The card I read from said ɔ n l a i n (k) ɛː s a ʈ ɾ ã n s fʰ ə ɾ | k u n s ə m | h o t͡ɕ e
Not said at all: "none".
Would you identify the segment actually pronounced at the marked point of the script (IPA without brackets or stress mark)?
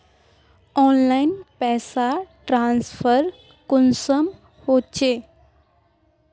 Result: p